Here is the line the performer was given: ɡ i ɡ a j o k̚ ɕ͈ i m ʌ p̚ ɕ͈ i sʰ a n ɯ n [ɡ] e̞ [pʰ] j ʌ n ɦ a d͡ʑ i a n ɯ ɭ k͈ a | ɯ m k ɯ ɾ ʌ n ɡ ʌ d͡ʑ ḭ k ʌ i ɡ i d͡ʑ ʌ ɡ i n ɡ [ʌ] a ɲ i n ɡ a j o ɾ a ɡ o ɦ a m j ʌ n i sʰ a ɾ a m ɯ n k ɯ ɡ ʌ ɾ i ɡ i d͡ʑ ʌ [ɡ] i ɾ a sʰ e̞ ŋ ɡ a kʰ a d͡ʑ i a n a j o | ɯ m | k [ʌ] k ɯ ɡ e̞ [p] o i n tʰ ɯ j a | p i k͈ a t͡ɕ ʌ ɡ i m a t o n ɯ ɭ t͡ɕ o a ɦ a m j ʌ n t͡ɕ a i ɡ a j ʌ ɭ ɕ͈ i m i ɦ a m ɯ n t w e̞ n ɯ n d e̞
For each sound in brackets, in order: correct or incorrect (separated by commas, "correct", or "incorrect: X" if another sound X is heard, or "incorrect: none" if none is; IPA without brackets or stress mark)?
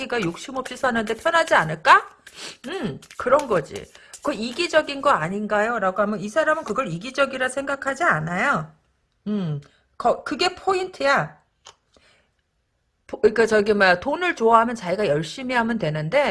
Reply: incorrect: d, correct, correct, correct, correct, incorrect: pʰ